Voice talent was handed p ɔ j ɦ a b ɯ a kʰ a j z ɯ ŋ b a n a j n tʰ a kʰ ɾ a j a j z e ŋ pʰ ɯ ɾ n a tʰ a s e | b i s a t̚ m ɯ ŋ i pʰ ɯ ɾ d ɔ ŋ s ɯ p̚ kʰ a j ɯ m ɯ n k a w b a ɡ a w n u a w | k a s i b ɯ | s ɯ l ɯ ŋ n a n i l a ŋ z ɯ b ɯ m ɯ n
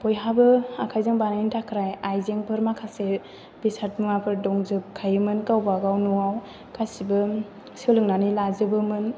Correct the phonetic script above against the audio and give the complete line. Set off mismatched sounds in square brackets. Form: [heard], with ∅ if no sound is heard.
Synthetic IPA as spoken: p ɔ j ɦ a b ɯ a kʰ a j z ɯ ŋ b a n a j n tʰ a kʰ ɾ a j a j z e ŋ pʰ ɯ ɾ [m] a [kʰ] a s e | b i s a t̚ m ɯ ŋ [a] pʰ ɯ ɾ d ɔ ŋ [z] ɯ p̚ kʰ a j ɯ m ɯ n k a w b a ɡ a w n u a w | k a s i b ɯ | s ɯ l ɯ ŋ n a n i l a [∅] z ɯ b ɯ m ɯ n